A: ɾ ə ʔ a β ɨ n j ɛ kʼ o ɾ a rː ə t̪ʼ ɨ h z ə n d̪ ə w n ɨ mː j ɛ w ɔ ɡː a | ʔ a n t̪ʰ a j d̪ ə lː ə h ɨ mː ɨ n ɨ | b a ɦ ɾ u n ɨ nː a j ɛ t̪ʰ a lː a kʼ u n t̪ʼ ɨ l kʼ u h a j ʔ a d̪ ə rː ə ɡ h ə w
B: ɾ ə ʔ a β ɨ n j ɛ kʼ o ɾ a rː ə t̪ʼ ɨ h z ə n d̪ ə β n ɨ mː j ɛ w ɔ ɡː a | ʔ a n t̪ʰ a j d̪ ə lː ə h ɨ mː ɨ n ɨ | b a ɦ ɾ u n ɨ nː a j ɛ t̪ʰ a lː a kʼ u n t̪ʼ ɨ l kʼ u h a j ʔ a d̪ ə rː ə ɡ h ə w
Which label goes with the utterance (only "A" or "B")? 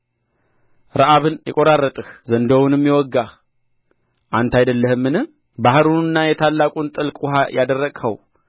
A